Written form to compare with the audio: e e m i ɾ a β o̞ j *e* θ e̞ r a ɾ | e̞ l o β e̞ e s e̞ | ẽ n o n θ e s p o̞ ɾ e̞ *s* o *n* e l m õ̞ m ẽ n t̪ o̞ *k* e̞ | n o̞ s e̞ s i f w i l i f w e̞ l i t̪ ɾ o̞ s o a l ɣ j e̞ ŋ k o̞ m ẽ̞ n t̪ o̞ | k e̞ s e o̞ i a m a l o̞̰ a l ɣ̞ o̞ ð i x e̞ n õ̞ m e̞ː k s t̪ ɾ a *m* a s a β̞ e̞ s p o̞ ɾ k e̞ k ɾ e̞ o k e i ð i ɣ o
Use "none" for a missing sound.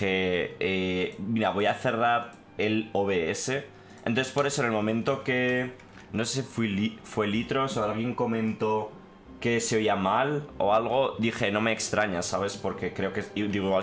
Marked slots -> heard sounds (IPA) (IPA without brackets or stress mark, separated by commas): a, s, n, k, ɲ